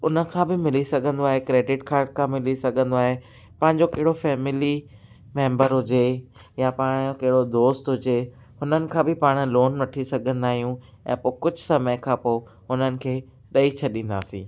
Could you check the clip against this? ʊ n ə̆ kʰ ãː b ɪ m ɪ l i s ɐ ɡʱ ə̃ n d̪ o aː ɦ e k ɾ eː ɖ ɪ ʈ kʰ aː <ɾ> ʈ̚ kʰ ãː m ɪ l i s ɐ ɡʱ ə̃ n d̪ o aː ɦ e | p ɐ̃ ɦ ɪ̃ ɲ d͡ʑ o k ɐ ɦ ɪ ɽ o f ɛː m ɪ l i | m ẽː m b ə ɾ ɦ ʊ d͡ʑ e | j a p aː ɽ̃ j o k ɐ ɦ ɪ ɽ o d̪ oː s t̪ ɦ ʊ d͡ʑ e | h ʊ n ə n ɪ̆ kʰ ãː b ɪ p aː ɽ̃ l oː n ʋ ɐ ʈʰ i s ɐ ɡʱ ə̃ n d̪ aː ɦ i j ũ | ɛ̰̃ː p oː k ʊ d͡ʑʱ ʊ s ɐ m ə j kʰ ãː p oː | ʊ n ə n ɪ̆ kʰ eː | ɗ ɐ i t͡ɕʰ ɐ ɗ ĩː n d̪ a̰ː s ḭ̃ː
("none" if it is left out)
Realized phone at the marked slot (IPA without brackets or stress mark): ɾ